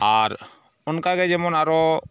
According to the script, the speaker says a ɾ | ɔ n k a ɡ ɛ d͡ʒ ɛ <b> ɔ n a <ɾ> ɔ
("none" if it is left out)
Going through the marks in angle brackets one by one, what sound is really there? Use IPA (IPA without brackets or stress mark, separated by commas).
m, ɾ